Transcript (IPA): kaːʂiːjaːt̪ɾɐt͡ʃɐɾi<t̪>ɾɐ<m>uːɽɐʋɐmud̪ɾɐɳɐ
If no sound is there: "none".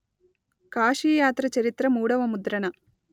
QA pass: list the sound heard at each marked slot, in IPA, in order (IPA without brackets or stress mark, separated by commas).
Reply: t̪, m